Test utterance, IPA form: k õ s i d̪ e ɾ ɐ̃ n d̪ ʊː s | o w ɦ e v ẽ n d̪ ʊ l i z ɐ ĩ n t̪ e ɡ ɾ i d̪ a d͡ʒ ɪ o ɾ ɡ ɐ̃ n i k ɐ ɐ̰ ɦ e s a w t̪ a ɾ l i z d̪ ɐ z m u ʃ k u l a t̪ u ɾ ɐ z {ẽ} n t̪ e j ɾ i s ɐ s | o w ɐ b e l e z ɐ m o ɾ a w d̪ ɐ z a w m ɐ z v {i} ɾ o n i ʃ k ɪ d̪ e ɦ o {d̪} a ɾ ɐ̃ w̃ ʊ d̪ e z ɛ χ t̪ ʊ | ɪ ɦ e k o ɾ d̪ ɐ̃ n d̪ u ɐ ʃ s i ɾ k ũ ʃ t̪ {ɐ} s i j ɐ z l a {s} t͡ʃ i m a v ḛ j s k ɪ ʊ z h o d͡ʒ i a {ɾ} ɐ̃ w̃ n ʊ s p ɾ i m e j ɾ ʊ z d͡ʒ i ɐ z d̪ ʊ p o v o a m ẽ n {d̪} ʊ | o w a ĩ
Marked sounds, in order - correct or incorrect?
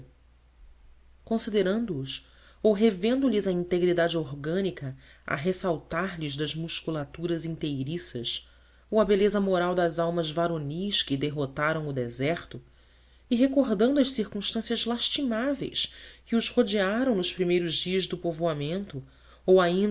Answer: incorrect: ĩ, incorrect: a, incorrect: t̪, incorrect: ɐ̃, incorrect: ʃ, correct, incorrect: t̪

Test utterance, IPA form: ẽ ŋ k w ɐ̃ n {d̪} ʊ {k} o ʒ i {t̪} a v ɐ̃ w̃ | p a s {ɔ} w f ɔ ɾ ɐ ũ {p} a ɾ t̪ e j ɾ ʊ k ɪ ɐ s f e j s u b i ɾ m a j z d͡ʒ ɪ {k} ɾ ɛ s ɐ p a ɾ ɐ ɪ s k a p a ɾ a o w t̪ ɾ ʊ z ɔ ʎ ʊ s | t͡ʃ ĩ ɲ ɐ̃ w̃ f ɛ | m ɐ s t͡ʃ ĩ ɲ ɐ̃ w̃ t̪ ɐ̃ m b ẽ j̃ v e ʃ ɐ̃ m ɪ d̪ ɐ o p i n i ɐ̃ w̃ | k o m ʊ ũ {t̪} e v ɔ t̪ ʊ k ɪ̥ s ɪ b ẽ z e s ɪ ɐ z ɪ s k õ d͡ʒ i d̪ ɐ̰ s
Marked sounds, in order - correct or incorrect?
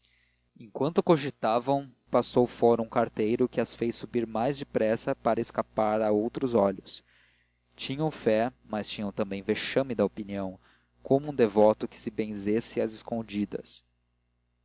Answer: incorrect: t̪, correct, correct, incorrect: o, incorrect: k, incorrect: p, incorrect: d̪

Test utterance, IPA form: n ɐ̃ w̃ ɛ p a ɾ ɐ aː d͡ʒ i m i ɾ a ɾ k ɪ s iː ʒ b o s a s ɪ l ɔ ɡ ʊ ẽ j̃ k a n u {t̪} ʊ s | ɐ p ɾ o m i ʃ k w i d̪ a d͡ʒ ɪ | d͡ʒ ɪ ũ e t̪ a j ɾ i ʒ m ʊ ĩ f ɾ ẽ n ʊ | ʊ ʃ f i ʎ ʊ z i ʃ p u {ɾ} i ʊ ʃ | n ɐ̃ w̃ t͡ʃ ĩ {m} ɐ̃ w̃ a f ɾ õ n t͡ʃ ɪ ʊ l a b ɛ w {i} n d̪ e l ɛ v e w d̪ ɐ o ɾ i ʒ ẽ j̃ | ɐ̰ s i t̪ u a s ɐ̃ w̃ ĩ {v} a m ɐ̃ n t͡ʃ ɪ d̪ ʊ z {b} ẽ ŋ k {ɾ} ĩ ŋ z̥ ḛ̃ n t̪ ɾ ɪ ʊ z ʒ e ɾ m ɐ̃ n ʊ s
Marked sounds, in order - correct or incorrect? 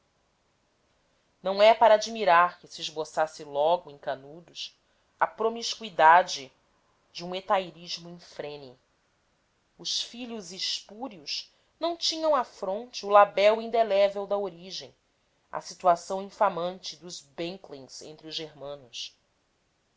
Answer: incorrect: d̪, correct, incorrect: ɲ, incorrect: ĩ, incorrect: f, correct, incorrect: l

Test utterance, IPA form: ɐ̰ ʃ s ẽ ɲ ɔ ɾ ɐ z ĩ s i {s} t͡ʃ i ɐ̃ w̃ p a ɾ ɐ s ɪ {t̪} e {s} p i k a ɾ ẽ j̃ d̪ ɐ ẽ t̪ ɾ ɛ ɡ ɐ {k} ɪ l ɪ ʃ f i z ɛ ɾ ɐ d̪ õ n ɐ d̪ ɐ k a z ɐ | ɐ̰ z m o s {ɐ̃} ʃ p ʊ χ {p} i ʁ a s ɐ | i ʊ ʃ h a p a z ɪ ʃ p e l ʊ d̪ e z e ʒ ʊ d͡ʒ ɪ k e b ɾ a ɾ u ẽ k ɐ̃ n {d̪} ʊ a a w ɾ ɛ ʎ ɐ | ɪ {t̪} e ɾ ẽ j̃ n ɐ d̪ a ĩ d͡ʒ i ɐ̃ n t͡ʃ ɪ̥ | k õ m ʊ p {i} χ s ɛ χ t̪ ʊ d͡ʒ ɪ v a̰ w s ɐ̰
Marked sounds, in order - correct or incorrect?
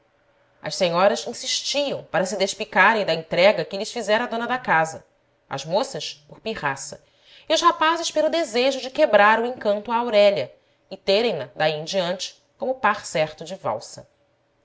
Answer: incorrect: ʃ, incorrect: d̪, incorrect: ʃ, correct, incorrect: ɐ, correct, incorrect: t̪, correct, incorrect: a

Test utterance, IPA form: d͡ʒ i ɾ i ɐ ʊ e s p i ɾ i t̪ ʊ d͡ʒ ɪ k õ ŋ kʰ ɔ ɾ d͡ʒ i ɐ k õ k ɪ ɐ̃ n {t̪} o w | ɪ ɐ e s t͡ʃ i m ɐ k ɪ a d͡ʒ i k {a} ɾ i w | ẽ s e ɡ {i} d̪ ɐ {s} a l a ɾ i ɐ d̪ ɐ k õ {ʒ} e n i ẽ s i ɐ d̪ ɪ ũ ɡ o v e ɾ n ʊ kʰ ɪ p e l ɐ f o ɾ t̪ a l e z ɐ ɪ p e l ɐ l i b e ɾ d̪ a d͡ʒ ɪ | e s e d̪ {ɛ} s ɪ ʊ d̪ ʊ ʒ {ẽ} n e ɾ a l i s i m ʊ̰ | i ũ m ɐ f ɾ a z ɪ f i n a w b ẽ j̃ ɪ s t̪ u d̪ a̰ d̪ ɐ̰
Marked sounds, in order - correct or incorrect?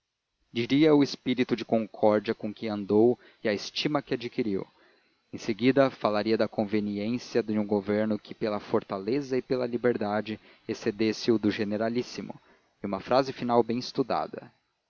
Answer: incorrect: d̪, incorrect: i, correct, incorrect: f, incorrect: v, incorrect: e, incorrect: e

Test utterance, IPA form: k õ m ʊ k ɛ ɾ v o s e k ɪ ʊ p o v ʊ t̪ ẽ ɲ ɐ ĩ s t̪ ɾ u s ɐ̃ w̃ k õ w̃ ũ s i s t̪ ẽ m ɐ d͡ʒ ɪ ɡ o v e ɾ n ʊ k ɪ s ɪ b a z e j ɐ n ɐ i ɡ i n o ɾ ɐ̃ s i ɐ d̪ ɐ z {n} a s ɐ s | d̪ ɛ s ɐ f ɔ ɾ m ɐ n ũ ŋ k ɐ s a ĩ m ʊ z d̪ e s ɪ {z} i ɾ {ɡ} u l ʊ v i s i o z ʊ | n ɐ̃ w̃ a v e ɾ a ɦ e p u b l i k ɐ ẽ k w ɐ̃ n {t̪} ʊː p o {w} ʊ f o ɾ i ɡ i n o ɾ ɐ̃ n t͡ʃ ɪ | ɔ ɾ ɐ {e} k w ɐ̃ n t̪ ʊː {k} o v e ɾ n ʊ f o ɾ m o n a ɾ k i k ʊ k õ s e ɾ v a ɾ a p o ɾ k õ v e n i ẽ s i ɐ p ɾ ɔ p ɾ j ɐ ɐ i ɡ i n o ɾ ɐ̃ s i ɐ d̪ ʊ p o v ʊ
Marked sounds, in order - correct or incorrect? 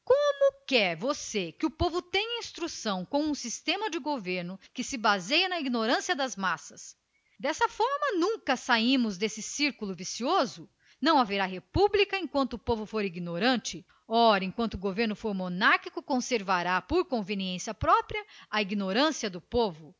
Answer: incorrect: m, incorrect: s, incorrect: k, correct, incorrect: v, incorrect: ẽ, incorrect: ɡ

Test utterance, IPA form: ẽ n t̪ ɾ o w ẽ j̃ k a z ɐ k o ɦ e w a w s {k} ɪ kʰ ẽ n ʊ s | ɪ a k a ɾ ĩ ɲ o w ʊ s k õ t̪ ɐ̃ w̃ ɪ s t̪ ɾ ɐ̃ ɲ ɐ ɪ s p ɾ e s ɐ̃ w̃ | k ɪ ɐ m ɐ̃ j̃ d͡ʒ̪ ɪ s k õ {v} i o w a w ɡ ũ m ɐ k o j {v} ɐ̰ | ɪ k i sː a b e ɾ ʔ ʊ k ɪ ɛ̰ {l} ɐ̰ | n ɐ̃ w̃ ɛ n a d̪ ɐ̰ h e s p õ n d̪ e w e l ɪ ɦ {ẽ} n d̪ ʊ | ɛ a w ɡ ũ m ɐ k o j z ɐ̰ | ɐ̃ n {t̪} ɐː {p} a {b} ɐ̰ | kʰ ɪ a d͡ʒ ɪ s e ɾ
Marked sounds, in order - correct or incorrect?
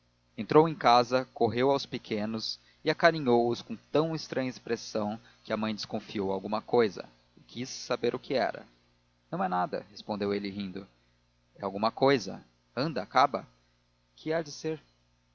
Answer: incorrect: p, incorrect: f, incorrect: z, incorrect: ɾ, incorrect: ĩ, incorrect: d̪, incorrect: k, correct

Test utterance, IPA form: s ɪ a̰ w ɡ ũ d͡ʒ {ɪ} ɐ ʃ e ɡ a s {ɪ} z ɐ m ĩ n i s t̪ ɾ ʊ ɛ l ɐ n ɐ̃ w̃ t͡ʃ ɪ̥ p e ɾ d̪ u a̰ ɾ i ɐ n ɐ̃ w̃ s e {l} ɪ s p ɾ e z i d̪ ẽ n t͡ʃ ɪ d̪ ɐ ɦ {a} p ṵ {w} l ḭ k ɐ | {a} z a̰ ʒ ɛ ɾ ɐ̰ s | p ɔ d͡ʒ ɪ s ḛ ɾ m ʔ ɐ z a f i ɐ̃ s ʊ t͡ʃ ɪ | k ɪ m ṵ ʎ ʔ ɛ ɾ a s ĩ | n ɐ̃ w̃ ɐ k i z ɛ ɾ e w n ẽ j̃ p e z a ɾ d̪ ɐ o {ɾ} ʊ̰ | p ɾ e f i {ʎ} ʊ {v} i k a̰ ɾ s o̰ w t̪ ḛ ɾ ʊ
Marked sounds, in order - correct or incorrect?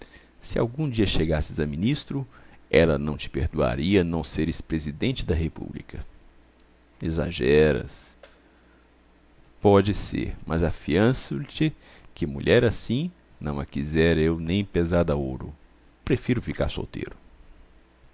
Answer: incorrect: i, correct, incorrect: ɾ, incorrect: e, incorrect: b, incorrect: e, correct, incorrect: ɾ, incorrect: f

